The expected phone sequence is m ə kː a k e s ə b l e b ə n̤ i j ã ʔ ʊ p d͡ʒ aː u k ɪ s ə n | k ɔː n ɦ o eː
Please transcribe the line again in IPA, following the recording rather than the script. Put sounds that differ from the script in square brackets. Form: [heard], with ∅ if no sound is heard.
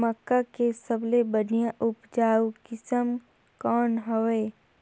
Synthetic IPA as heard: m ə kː a k e s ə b l e b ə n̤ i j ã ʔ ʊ p d͡ʒ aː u k ɪ s ə [m] | k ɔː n ɦ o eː